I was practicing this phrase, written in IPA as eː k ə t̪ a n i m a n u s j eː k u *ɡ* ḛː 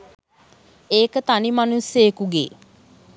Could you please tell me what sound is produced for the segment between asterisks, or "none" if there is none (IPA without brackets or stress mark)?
ɡ